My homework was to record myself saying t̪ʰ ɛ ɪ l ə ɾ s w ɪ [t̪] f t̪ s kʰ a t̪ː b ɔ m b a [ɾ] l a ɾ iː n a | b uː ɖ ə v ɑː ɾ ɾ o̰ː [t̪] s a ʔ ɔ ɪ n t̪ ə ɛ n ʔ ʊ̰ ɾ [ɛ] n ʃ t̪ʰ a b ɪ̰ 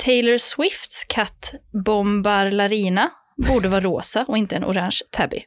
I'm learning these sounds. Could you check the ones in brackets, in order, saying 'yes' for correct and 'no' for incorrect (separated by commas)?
no, yes, no, no